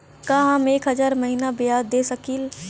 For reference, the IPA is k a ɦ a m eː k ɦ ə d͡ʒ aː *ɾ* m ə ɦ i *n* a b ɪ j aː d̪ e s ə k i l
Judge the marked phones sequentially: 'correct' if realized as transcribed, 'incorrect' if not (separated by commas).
correct, correct